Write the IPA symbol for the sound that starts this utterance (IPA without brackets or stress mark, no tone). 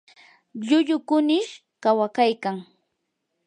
ʎ